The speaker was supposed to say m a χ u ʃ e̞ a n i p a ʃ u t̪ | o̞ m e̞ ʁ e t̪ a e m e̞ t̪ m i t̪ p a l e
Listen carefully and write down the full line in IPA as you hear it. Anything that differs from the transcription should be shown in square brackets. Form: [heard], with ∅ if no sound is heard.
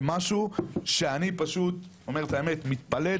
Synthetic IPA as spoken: m a [ʃ] u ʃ e̞ a n i p a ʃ u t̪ | o̞ m e̞ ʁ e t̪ a e m e̞ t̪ m i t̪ p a l e